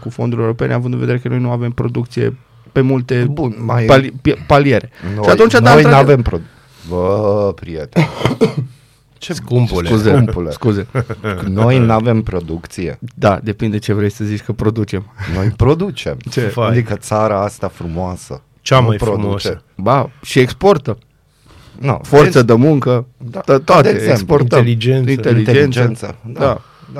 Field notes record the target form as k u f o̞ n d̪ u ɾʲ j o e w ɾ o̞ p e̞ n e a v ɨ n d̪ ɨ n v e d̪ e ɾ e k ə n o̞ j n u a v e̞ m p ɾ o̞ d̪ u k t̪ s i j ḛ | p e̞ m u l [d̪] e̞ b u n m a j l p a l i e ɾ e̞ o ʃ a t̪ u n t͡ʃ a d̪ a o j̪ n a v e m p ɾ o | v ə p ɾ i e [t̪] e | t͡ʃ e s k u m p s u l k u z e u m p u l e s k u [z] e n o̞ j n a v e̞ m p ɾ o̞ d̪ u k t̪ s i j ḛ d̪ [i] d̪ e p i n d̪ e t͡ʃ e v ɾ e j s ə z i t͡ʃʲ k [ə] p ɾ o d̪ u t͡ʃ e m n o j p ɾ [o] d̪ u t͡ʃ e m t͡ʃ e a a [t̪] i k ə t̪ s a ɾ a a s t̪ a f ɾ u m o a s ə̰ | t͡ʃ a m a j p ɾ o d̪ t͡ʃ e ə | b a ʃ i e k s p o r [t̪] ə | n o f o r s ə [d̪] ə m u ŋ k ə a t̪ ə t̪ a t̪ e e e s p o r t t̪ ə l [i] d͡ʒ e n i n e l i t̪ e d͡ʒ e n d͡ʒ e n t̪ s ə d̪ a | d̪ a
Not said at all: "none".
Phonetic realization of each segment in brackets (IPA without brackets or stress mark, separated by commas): t̪, t̪, z, a, ə, o, d̪, t̪, d̪, i